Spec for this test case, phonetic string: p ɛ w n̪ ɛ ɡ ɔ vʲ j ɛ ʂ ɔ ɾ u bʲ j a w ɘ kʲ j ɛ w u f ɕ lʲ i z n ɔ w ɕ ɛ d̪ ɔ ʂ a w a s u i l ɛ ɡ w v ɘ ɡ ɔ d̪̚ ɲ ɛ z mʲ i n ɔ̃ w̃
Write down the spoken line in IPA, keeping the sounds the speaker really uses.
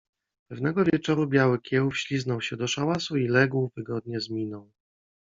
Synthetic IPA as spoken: p ɛ v n̪ ɛ ɡ ɔ vʲ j ɛ t͡ʂ ɔ ɾ u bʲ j a w ɘ kʲ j ɛ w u f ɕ lʲ i z n ɔ w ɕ ɛ d̪ ɔ ʂ a w a s u i l ɛ ɡ w v ɘ ɡ ɔ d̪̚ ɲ ɛ z mʲ i n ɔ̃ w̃